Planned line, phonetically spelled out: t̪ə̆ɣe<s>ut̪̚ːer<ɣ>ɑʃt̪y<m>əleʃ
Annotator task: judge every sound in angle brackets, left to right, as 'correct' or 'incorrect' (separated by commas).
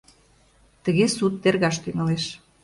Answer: correct, correct, incorrect